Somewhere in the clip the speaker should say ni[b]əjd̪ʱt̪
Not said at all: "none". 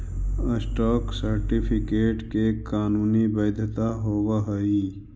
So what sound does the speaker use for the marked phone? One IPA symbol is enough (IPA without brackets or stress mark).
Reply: b